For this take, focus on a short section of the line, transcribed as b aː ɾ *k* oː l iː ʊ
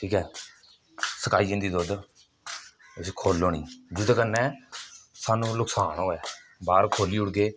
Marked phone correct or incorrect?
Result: incorrect